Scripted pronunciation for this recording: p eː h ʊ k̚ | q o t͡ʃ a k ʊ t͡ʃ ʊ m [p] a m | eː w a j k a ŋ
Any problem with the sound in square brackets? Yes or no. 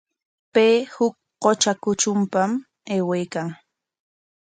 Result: no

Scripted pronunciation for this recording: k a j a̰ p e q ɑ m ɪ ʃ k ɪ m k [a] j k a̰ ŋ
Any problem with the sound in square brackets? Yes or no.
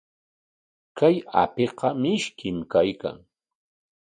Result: no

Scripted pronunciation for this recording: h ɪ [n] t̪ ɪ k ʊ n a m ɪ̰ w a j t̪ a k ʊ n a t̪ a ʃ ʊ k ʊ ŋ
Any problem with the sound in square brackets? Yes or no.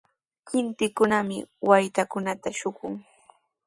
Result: no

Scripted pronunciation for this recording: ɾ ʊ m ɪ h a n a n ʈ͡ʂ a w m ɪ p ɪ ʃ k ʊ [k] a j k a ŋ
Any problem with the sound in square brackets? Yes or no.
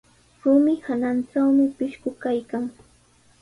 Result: no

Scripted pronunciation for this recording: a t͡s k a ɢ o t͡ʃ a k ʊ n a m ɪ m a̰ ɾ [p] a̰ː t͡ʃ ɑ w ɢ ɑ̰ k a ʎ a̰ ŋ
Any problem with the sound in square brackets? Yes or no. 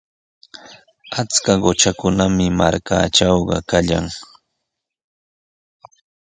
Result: yes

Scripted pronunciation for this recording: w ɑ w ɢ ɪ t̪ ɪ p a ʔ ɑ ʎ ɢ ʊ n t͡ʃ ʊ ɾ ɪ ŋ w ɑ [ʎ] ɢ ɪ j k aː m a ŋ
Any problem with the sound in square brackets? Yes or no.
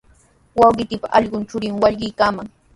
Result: no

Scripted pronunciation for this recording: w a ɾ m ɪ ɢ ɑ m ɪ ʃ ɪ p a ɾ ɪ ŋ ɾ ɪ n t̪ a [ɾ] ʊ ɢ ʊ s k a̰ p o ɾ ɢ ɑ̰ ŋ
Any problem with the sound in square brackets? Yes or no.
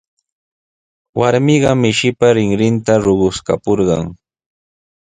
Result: no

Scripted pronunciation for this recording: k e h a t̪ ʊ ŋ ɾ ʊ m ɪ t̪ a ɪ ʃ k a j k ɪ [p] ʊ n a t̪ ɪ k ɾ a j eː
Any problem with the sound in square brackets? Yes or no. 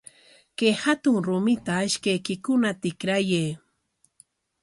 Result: yes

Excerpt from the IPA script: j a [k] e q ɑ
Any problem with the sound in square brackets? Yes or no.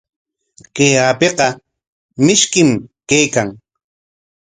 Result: yes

